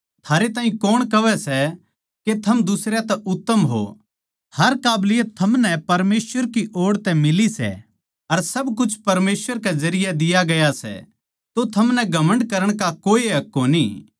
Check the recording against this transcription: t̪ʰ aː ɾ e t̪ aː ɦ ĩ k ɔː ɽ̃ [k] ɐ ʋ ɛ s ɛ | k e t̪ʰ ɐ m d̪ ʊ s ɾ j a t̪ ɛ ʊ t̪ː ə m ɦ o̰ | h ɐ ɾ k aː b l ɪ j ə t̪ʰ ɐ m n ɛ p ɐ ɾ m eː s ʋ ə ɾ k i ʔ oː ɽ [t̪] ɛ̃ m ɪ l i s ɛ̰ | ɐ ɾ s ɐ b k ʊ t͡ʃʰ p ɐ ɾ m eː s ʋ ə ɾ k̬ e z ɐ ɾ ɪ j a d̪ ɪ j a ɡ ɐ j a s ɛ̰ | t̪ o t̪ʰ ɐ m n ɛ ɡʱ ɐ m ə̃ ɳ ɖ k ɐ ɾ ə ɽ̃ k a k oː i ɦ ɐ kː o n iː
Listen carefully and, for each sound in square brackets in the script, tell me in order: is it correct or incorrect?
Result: correct, correct

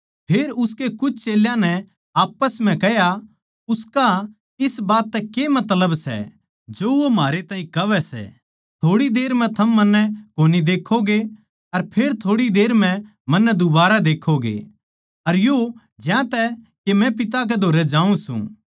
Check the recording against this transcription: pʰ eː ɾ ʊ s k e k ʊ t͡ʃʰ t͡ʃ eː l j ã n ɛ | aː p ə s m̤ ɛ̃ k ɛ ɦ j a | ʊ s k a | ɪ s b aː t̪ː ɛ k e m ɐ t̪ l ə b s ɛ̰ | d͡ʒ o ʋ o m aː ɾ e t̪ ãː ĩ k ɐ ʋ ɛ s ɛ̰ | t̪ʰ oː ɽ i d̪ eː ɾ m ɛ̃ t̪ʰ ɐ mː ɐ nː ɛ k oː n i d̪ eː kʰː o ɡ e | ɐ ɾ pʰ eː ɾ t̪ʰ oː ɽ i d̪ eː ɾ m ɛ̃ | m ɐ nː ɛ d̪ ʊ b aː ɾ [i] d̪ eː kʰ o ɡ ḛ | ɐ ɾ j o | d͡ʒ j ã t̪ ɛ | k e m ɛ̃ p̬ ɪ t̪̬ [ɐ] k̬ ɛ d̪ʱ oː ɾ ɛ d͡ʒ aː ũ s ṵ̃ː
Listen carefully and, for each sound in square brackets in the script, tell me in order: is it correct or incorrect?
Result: incorrect, incorrect

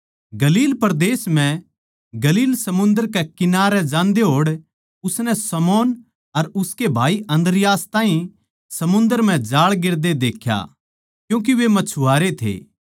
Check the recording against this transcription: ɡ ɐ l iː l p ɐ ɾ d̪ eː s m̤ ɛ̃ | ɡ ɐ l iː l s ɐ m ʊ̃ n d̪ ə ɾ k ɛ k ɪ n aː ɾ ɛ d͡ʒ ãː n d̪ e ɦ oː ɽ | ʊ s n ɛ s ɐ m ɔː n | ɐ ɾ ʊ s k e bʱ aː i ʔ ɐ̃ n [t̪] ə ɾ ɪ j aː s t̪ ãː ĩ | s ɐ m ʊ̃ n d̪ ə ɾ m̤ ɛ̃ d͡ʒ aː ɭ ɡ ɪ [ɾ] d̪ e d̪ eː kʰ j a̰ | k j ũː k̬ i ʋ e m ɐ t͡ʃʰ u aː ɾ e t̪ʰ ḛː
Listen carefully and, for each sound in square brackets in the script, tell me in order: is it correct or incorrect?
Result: incorrect, correct

